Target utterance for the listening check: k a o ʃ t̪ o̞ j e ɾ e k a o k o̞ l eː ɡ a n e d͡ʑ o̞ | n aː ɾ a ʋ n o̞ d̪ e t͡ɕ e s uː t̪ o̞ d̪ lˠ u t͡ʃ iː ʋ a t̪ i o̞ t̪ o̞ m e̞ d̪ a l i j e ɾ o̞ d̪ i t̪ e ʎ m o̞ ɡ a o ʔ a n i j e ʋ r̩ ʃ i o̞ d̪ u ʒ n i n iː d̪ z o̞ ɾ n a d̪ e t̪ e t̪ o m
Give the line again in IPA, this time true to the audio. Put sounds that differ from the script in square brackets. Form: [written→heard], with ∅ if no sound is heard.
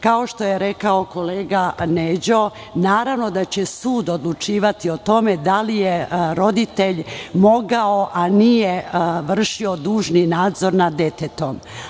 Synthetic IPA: k a o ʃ t̪ o̞ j e ɾ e k a o k o̞ l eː ɡ a n e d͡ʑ o̞ | n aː ɾ a ʋ n o̞ d̪ [e→a] t͡ɕ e s uː [t̪→d̪] o̞ d̪ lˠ u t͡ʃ iː ʋ a t̪ i o̞ t̪ o̞ m e̞ d̪ a l i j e ɾ o̞ d̪ i t̪ e ʎ m o̞ ɡ a o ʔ a n i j e ʋ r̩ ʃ i o̞ d̪ [u→uː] ʒ n i n [iː→aː] d̪ z o̞ ɾ n a d̪ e t̪ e t̪ o m

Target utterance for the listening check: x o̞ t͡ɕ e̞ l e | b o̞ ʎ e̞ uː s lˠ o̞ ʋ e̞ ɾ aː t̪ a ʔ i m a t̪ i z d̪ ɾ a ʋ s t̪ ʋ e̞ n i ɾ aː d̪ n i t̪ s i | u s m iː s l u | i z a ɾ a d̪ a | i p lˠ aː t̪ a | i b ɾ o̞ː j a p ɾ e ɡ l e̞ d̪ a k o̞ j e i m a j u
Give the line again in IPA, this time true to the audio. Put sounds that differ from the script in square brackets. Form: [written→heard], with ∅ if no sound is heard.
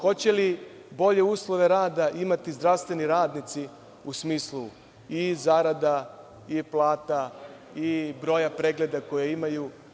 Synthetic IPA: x o̞ t͡ɕ e̞ l [e→i] | b o̞ ʎ e̞ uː s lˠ o̞ ʋ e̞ ɾ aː [t̪→d̪] a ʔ i m a t̪ i z d̪ ɾ a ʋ s t̪ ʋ e̞ n i ɾ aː d̪ n i t̪ s i | u s m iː s l u | i z a ɾ a d̪ a | i p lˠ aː t̪ a | i b ɾ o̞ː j a p ɾ e ɡ l e̞ d̪ a k o̞ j e i m a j u

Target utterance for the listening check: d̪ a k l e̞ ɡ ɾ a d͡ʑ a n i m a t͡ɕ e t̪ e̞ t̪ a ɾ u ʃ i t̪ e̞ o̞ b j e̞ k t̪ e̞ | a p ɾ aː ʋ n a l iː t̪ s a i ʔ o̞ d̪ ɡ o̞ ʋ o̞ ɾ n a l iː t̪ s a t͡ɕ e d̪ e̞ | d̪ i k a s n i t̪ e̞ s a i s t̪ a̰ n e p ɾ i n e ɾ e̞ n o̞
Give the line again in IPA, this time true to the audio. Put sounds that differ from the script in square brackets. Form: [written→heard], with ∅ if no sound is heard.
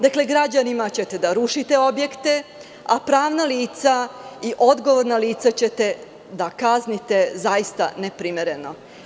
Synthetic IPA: d̪ a k l e̞ ɡ ɾ a d͡ʑ a n i m a t͡ɕ e t̪ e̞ [t̪→d̪] a ɾ u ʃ i t̪ e̞ o̞ b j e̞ k t̪ e̞ | a p ɾ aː ʋ n a l iː t̪ s a i ʔ o̞ d̪ ɡ o̞ ʋ o̞ ɾ n a l iː t̪ s a t͡ɕ e [d̪→t̪] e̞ | d̪ [i→a] k a [s→z] n i t̪ e̞ [s→z] a i s t̪ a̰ n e p ɾ i [n→m] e ɾ e̞ n o̞

